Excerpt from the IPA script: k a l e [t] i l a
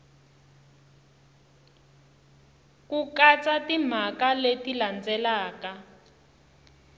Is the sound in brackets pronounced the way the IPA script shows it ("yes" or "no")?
yes